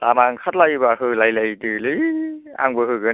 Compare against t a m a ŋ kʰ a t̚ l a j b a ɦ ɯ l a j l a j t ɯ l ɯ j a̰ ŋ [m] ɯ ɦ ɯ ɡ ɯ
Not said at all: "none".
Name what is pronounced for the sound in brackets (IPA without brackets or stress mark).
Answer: b